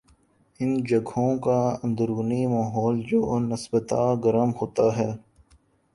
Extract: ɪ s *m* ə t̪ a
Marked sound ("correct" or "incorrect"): incorrect